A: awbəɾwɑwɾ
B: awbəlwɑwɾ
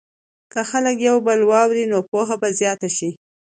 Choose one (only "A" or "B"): B